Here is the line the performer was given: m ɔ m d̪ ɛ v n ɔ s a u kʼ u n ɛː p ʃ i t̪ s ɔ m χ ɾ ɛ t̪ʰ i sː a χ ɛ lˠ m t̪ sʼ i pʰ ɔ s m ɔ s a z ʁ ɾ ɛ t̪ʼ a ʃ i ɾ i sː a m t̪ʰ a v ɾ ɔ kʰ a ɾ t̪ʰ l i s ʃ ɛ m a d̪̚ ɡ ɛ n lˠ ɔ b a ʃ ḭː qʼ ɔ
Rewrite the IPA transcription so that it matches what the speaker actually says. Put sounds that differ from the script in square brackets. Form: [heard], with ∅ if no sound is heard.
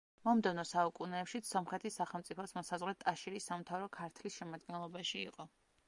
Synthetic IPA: m ɔ m d̪ ɛ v n ɔ s a u kʼ u n ɛː p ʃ i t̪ s ɔ m χ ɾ ɛ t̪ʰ i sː a χ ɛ lˠ m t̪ sʼ i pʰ ɔ s m ɔ s a z ʁ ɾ ɛ t̪ʼ a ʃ i ɾ i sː a m t̪ʰ a v ɾ ɔ kʰ a ɾ t̪ʰ l i s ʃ ɛ m a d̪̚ ɡ ɛ n lˠ ɔ b a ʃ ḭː qʼ ɔ